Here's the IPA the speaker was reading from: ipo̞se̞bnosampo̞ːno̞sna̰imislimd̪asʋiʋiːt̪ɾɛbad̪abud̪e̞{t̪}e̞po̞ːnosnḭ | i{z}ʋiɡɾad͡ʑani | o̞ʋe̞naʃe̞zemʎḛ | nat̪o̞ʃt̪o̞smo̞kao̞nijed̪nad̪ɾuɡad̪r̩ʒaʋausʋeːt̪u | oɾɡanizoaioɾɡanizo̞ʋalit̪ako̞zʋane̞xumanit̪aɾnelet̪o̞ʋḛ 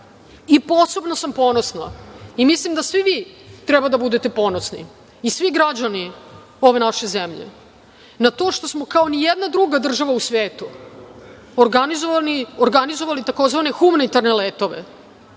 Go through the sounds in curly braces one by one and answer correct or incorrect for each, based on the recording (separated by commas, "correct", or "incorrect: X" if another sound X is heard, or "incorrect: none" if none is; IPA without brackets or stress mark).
correct, incorrect: s